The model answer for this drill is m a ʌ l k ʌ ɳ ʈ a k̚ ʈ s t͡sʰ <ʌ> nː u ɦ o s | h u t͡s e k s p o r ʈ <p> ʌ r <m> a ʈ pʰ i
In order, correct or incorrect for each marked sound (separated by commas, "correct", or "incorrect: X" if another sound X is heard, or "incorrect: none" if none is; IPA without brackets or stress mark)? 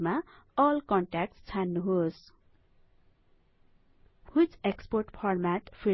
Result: incorrect: a, incorrect: pʰ, correct